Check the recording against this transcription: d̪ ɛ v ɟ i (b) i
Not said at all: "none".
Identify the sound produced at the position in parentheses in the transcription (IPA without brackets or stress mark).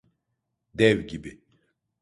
b